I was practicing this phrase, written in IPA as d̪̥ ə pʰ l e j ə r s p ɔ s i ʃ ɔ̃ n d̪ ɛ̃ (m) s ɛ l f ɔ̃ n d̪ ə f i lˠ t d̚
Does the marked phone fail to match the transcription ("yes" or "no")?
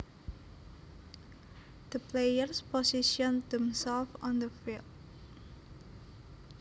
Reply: no